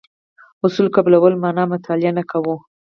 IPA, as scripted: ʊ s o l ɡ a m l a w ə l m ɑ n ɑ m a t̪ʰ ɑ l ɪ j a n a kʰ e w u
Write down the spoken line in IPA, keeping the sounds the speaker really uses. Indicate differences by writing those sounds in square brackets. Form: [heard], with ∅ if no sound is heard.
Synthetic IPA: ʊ s [u] l [k] a [b] l a w ə l m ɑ n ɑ m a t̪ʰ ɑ l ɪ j a n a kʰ [a] w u